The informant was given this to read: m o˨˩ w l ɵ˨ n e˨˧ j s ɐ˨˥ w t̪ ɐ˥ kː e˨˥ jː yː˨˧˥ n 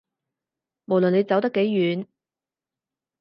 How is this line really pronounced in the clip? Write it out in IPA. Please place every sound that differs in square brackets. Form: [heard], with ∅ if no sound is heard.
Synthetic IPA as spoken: m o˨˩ w l ɵ˨ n e˨˧ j [t͡s] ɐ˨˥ w t̪ ɐ˥ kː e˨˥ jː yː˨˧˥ n